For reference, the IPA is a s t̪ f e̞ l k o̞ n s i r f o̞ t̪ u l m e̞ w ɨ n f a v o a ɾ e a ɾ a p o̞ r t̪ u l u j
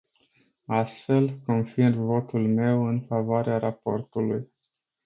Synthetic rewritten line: a s t̪ f e̞ l k o̞ n f i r v o̞ t̪ u l m e̞ w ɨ n f a v o a ɾ e a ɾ a p o̞ r t̪ u l u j